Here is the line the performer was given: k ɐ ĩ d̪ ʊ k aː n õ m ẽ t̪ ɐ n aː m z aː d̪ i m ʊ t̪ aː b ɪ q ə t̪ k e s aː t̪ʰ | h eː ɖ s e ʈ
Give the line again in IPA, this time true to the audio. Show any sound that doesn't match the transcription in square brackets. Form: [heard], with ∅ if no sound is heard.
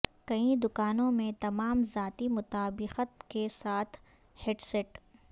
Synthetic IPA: k ɐ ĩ d̪ ʊ k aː n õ m ẽ t̪ ɐ [m] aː m z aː [t̪] i m ʊ t̪ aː b ɪ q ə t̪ k e s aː t̪ʰ | h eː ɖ s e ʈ

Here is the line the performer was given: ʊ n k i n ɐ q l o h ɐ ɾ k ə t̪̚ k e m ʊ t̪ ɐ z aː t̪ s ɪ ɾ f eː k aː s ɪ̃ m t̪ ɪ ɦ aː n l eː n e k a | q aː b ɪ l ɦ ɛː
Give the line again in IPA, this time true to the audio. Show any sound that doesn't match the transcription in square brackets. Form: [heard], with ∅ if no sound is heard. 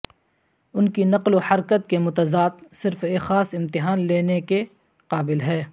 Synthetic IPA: ʊ n k i n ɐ q l o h ɐ ɾ k ə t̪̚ k e m ʊ t̪ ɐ z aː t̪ s ɪ ɾ f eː [x] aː s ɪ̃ m t̪ ɪ ɦ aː n l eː n e k [e] | q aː b ɪ l ɦ ɛː

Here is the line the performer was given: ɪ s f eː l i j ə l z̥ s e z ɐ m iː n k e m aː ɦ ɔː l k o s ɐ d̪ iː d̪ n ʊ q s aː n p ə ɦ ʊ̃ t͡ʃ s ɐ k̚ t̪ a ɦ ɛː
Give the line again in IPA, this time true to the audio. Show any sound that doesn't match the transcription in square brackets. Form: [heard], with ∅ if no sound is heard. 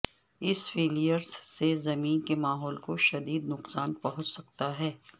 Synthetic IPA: ɪ s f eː l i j ə [ɾ] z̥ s e z ɐ m iː n k e m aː ɦ ɔː l k o [ʃ] ɐ d̪ iː d̪ n ʊ q s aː n p [ɐ] ɦ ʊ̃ t͡ʃ s ɐ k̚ t̪ a ɦ ɛː

